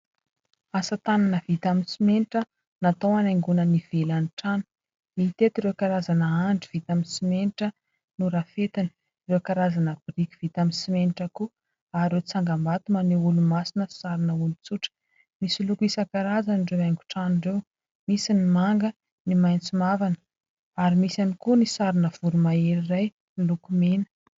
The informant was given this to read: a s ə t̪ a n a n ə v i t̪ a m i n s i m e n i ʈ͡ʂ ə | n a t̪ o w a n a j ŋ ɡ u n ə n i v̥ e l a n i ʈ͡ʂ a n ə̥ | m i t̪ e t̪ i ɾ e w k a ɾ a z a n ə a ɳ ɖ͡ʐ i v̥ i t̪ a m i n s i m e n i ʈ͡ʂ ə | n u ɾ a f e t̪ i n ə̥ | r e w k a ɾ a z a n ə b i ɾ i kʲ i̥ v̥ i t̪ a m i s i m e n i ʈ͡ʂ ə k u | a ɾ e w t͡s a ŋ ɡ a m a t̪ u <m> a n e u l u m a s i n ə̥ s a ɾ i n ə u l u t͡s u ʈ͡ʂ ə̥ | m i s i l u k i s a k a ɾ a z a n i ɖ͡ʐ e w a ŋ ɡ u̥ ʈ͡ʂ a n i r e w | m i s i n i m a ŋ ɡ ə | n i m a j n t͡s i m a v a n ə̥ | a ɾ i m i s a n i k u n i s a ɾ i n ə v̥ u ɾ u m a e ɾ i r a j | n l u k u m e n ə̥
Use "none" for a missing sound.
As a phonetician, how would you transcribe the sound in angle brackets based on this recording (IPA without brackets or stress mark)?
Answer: m